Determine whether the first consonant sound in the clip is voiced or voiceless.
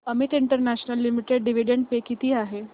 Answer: voiced